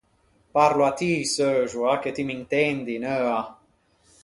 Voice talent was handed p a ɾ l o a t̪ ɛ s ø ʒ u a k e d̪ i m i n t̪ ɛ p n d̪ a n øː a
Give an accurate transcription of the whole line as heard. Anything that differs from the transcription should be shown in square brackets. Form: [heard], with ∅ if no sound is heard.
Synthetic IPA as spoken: p a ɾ l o a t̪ [i] s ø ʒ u a k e [t̪] i m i n t̪ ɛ [∅] n d̪ [i] n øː a